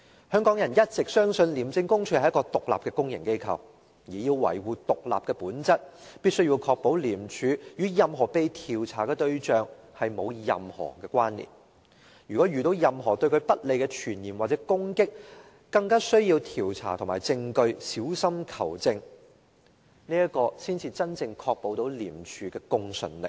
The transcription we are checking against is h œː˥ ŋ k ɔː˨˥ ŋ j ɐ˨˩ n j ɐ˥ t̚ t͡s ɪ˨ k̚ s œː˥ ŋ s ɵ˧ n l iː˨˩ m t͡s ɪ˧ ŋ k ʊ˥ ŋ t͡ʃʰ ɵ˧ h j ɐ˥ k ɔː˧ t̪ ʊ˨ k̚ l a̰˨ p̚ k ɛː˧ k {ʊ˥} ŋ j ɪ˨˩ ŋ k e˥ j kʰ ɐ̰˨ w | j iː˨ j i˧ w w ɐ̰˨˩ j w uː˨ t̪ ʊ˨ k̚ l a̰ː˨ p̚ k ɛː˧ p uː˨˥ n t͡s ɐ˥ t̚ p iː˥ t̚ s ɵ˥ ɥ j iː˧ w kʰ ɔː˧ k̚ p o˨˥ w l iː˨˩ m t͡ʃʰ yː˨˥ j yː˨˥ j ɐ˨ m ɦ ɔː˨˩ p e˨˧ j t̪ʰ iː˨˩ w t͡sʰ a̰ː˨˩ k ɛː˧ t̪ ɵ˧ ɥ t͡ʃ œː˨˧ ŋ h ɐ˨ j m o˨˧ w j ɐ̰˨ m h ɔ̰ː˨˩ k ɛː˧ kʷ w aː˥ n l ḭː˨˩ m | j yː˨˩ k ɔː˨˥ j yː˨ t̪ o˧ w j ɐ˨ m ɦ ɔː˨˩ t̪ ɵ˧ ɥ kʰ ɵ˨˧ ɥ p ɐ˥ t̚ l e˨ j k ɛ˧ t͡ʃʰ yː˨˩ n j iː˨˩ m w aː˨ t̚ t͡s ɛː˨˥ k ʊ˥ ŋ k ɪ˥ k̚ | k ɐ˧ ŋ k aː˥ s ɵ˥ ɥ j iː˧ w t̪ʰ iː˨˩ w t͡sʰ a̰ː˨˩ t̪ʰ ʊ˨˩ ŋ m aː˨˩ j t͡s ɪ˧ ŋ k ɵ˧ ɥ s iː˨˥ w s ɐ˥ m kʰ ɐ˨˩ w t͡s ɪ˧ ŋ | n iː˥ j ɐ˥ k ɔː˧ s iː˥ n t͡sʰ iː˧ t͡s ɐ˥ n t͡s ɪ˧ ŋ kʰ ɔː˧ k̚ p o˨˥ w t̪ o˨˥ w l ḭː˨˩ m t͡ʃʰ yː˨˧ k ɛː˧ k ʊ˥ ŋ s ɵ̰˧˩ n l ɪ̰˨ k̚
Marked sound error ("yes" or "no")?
no